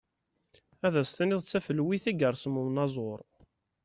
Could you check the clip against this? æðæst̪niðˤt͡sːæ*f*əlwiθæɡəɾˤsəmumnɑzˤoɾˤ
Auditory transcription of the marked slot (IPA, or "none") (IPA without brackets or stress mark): f